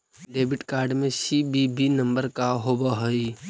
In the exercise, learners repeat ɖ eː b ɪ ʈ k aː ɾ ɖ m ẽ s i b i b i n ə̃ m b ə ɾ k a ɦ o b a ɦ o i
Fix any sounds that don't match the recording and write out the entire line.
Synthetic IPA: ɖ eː b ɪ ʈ k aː ɾ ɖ m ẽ s i b i b i n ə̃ m b ə ɾ k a ɦ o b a ɦ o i